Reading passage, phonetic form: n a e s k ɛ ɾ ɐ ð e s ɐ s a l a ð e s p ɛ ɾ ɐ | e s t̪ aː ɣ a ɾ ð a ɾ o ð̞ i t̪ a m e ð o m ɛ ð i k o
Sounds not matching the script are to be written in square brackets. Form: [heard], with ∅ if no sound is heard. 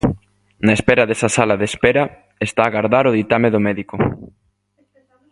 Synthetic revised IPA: n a e s [p] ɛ ɾ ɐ ð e s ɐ s a l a ð e s p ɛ ɾ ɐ | e s t̪ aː ɣ a ɾ ð a ɾ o ð̞ i t̪ a m e ð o m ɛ ð i k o